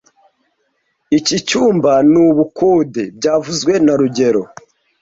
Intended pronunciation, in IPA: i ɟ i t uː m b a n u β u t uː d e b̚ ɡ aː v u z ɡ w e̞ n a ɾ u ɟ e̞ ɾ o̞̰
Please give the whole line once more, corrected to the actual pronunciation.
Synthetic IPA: i c i t͡ʃ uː m b a n u β u k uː d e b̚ ɟ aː v u z ɡ w e̞ n a ɾ u ɟ e̞ ɾ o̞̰